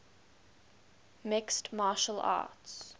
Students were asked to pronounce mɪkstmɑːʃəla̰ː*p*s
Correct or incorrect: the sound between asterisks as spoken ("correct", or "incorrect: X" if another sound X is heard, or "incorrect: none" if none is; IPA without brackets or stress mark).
incorrect: t